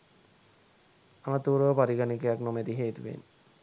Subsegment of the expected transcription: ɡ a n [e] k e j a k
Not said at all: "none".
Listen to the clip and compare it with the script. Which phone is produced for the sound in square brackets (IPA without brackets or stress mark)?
i